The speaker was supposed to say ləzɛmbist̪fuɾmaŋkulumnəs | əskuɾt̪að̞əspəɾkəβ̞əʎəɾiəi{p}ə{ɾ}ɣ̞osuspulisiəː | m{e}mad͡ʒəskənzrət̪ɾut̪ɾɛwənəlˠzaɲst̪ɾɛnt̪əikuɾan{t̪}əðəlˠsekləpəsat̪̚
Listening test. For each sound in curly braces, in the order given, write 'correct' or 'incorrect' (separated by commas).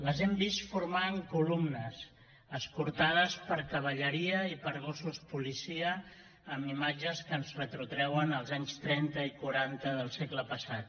correct, correct, incorrect, correct